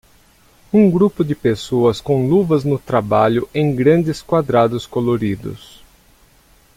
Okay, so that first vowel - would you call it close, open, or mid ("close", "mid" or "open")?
close